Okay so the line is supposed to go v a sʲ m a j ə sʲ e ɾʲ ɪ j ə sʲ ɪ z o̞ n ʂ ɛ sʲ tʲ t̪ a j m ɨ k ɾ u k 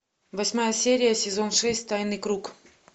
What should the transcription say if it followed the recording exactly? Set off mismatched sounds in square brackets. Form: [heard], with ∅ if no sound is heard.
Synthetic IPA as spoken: v [ɐ] sʲ m a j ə sʲ e ɾʲ ɪ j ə sʲ ɪ z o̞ n ʂ ɛ sʲ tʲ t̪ a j [n] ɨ k ɾ u k